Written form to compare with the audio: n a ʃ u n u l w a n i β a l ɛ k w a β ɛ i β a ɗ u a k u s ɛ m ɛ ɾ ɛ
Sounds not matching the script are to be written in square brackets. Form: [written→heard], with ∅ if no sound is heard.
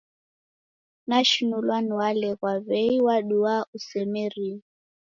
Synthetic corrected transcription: n a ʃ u n u l w a n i [β→w] a l ɛ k w a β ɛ i [β→w] a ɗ u a [k→∅] u s ɛ m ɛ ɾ [ɛ→i]